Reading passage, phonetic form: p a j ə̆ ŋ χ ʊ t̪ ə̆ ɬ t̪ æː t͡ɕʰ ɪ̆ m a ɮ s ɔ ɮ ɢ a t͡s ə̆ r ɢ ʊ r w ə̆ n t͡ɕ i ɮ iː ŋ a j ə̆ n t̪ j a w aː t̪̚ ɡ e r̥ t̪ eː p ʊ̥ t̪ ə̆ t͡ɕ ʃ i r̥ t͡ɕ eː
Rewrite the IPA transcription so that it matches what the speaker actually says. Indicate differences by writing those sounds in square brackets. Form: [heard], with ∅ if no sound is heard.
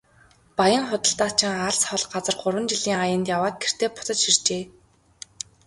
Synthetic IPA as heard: p a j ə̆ ŋ χ ʊ t̪ ə̆ ɬ t̪ [aː] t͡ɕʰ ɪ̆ [ŋ] a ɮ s ɔ ɮ ɢ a t͡s ə̆ r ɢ ʊ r w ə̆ n t͡ɕ i ɮ iː ŋ a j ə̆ n t̪ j a w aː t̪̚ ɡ e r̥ t̪ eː p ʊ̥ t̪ ə̆ t͡ɕ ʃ i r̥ t͡ɕ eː